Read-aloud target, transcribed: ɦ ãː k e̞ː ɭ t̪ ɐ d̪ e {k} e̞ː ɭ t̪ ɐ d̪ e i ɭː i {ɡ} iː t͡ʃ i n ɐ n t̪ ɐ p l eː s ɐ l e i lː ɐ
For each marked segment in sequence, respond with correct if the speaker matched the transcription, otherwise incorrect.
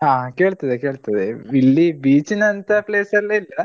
correct, incorrect

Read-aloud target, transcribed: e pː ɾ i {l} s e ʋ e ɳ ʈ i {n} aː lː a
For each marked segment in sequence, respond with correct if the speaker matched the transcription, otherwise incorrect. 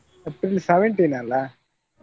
correct, correct

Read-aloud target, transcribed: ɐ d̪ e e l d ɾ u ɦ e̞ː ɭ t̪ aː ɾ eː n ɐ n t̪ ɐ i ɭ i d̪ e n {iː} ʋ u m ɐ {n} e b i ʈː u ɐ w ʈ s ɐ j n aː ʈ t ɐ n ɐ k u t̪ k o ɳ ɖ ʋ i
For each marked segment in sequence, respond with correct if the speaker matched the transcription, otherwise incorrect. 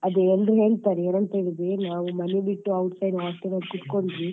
incorrect, correct

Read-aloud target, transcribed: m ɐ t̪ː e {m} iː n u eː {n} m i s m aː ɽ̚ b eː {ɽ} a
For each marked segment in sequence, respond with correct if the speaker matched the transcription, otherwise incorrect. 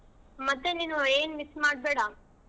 incorrect, correct, correct

